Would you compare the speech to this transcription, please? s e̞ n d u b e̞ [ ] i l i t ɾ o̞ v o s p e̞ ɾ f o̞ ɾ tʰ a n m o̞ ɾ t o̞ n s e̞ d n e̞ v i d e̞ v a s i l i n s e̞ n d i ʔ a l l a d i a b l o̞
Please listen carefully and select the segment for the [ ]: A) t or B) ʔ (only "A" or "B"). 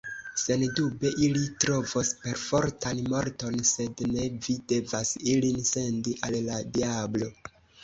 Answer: B